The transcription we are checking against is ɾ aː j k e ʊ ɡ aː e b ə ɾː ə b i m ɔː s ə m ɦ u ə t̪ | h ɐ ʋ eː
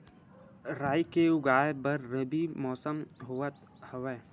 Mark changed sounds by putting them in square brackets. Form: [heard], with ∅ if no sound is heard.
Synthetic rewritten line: ɾ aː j k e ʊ ɡ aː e b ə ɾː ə b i m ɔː s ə m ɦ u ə t̪ | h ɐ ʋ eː